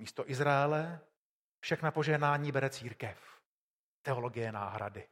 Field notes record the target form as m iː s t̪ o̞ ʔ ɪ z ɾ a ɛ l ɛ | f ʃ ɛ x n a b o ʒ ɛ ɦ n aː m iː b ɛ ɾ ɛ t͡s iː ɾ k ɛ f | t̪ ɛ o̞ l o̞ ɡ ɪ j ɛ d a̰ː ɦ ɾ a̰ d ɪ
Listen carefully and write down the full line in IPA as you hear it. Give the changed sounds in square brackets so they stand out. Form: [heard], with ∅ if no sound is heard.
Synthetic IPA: m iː s t̪ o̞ ʔ ɪ z ɾ a ɛ l ɛ | f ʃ ɛ x n a [p] o ʒ ɛ ɦ n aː [ɲ] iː b ɛ ɾ ɛ t͡s iː ɾ k ɛ f | t̪ ɛ o̞ l o̞ ɡ ɪ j ɛ [n] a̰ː ɦ ɾ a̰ d ɪ